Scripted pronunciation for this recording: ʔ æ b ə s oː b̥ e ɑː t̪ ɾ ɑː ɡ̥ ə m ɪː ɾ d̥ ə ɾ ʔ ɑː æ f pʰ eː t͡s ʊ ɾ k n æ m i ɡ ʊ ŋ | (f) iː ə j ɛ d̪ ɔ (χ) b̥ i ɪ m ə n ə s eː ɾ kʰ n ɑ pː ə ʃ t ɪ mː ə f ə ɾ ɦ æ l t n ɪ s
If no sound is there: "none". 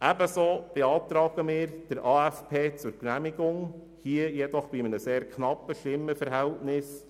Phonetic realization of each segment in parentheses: h, χ

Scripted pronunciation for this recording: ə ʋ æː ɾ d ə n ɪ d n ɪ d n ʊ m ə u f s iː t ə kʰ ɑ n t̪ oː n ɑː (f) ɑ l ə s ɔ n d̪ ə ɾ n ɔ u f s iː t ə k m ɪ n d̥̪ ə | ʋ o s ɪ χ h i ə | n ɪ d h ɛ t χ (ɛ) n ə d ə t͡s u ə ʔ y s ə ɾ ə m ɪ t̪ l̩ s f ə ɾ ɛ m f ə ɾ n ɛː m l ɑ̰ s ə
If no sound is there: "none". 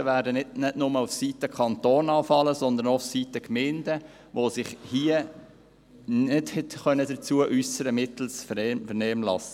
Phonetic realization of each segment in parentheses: f, œ

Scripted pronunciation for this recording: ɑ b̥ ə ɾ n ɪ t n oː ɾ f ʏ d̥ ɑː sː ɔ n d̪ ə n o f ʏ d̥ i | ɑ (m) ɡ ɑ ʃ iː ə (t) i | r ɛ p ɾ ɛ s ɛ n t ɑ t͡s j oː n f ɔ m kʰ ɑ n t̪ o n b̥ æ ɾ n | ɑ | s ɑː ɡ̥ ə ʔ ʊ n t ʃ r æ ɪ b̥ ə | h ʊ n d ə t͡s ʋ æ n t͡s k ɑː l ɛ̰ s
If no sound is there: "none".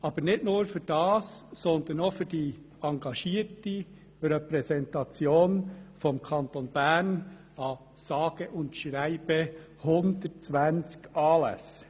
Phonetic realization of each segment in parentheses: ŋ, t

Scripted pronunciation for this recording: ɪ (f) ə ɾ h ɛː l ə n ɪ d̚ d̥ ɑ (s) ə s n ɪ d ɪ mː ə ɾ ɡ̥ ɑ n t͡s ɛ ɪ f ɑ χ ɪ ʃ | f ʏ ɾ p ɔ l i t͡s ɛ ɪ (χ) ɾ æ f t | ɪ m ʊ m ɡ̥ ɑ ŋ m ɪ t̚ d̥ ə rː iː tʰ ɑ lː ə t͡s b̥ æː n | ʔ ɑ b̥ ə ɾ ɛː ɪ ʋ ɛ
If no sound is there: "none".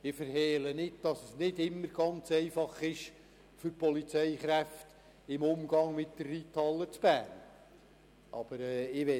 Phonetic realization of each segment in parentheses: f, s, χ

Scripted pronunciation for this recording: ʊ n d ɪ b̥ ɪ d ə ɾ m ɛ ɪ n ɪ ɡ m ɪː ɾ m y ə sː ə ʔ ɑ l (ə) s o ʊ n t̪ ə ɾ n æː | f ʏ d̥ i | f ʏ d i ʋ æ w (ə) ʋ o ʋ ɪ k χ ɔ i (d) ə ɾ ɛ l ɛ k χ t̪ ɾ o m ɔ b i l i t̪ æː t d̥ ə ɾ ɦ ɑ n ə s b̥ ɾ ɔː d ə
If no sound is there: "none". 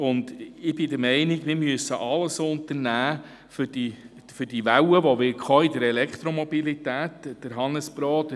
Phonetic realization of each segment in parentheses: ə, ə, d

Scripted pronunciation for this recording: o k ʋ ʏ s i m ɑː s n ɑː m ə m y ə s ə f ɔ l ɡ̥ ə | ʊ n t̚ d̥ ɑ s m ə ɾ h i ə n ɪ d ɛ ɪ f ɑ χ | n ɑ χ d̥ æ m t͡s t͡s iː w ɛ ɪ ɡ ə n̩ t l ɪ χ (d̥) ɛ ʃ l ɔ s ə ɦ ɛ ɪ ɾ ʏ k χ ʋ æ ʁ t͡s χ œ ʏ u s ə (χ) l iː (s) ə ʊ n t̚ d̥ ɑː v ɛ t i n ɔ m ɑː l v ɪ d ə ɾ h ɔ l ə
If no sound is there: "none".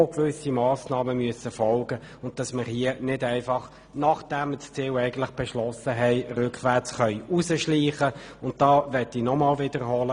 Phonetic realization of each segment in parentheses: b̥, ʃ, χ

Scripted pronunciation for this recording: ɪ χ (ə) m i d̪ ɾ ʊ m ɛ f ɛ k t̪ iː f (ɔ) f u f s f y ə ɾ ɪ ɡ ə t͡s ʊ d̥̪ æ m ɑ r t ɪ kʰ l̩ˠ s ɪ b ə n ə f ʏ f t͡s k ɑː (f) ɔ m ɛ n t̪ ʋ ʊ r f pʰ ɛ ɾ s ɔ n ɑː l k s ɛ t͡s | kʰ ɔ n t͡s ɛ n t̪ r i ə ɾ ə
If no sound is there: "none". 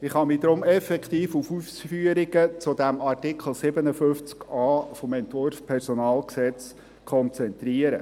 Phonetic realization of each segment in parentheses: ɑ, u, f

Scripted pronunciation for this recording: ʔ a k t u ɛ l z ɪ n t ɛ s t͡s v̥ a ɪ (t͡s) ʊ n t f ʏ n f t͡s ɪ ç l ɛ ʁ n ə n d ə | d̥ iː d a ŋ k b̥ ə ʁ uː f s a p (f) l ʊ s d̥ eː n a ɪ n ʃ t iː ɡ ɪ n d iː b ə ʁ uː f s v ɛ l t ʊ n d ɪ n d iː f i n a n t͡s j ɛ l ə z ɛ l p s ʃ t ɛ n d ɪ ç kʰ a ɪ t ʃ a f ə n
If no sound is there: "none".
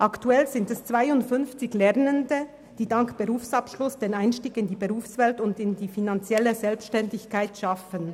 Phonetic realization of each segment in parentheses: none, ʃ

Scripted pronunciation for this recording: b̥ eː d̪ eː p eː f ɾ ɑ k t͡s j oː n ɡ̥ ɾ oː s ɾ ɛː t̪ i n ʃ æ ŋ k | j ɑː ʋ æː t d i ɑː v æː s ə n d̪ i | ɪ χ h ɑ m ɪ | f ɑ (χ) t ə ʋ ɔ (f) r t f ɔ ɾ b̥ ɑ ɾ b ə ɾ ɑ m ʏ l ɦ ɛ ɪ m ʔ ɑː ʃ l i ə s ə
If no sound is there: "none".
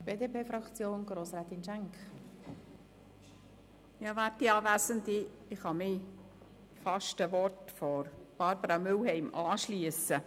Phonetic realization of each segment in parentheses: ʃ, none

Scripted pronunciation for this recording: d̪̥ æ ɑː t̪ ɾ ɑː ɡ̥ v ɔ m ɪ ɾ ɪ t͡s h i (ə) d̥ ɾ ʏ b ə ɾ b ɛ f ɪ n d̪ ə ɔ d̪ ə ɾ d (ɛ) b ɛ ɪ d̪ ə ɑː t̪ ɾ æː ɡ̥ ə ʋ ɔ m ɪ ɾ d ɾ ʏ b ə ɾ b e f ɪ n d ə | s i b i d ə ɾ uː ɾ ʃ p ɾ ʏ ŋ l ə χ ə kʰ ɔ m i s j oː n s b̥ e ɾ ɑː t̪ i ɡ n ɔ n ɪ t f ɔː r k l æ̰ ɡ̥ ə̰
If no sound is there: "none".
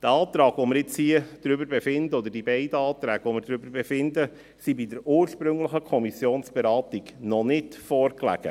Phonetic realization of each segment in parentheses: ə, i

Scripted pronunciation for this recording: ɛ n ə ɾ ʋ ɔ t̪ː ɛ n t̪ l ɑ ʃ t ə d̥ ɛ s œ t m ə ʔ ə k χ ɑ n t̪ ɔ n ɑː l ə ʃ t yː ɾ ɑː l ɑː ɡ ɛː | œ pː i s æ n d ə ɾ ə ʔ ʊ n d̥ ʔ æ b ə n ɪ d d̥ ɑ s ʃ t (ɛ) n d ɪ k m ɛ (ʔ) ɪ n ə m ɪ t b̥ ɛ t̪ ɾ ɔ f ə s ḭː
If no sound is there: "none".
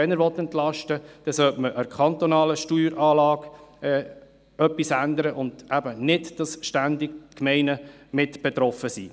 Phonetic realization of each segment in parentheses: æ, none

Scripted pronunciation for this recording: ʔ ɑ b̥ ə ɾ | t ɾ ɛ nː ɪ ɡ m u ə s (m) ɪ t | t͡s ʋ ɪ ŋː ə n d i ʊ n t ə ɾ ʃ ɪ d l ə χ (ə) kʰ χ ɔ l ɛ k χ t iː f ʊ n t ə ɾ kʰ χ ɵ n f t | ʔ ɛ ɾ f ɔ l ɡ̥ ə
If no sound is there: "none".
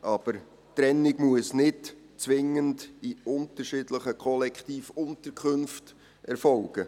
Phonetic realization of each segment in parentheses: n, ə

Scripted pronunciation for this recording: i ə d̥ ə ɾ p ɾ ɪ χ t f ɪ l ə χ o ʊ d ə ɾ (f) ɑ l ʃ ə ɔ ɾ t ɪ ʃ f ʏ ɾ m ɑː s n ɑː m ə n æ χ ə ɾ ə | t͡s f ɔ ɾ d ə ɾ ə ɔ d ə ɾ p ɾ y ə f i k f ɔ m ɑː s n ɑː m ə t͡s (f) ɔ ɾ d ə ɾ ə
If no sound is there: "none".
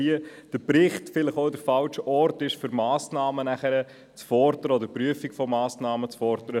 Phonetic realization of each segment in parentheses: f, f

